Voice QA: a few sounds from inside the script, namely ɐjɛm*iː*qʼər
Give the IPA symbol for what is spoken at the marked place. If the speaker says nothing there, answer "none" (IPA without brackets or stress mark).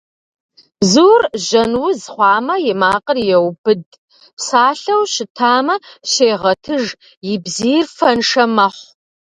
aː